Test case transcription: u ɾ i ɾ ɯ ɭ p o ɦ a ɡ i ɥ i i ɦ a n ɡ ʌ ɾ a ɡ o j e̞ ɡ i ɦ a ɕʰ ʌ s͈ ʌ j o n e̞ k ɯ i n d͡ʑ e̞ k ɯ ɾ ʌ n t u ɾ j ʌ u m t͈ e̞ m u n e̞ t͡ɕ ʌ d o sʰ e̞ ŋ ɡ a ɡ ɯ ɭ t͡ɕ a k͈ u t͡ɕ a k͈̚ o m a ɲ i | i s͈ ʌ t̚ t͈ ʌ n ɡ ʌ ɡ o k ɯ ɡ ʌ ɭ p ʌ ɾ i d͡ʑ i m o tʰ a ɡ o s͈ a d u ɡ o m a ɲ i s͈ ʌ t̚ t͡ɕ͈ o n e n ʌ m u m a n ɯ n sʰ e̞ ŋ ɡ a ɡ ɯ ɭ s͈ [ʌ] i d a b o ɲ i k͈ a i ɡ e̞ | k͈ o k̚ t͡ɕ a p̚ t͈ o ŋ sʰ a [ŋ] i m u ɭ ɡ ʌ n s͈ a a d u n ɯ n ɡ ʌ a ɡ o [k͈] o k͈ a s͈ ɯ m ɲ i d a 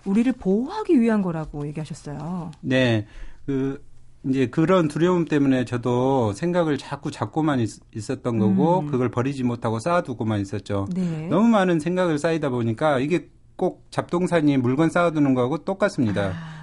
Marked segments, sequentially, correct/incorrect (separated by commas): incorrect, incorrect, incorrect